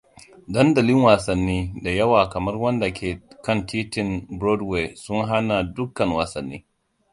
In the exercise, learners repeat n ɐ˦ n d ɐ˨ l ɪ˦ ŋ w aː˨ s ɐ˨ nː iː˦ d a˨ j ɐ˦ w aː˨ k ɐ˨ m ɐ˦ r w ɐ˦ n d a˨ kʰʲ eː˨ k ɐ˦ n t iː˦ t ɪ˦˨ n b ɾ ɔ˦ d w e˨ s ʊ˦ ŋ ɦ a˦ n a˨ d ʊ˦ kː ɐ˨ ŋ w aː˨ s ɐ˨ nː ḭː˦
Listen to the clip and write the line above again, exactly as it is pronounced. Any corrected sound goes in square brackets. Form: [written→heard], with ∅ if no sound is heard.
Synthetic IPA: [n→d] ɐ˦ n d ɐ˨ l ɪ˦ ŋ w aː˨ s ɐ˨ nː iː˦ d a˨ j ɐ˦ w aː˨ k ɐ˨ m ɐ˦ r w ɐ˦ n d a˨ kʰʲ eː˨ k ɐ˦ n t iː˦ t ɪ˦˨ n b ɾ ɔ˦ d w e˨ s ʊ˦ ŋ ɦ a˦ n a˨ d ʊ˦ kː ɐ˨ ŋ w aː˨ s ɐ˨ nː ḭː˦